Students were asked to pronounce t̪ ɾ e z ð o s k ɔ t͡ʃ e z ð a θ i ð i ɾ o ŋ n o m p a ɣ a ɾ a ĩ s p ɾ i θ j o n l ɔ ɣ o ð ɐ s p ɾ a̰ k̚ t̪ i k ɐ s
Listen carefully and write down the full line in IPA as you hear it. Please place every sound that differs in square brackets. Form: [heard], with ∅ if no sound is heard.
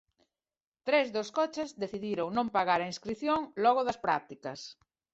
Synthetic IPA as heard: t̪ ɾ e z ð o s k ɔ t͡ʃ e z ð [e] θ i ð i ɾ o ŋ n [õ] m p a ɣ a ɾ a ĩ s [k] ɾ i θ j o [ŋ] l ɔ ɣ o ð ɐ s p ɾ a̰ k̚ t̪ i k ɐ s